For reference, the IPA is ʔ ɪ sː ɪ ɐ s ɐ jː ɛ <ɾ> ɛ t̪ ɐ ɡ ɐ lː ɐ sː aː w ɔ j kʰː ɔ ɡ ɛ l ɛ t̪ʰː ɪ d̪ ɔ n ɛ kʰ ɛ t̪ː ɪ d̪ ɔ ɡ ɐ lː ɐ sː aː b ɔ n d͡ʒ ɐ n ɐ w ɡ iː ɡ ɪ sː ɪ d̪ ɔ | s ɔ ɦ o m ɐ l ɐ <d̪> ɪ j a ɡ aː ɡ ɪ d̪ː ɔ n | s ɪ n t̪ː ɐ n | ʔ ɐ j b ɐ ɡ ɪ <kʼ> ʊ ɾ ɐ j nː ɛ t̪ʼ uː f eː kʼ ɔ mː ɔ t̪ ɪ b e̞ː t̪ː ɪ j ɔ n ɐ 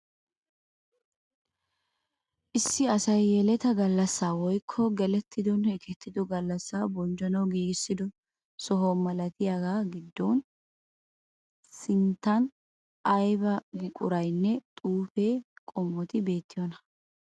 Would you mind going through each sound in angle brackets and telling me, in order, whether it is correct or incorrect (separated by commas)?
incorrect, incorrect, correct